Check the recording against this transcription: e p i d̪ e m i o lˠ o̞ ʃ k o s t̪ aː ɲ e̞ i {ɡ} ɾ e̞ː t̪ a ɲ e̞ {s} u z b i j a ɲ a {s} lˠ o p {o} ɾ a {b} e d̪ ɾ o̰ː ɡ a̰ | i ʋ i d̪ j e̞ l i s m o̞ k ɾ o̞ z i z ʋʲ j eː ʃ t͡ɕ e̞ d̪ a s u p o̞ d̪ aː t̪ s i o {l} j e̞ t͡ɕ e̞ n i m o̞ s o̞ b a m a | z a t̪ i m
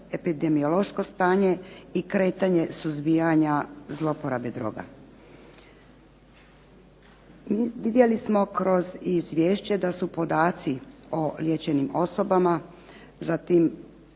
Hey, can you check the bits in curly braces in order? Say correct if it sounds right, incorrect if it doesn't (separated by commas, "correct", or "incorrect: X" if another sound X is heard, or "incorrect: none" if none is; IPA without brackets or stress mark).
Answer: incorrect: k, correct, incorrect: z, correct, correct, correct